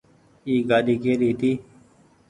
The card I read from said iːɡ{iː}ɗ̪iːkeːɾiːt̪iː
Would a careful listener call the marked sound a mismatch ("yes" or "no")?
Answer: yes